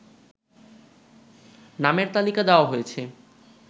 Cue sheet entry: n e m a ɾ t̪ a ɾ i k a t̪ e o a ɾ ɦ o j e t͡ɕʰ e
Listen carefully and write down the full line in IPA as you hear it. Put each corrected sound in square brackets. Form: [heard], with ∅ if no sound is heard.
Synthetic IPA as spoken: n [a] m [e] ɾ t̪ a [l] i k a [d̪] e o a [∅] ɦ o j e t͡ɕʰ e